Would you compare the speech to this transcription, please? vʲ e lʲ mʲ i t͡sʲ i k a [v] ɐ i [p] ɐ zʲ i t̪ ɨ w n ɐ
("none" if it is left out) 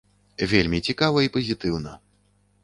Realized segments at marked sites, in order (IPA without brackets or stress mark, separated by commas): v, p